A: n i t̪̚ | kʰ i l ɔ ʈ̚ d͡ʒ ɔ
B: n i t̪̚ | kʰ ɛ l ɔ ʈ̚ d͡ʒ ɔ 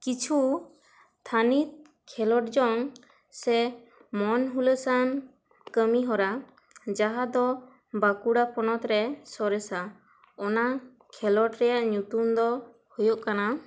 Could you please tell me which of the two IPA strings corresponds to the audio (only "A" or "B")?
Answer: B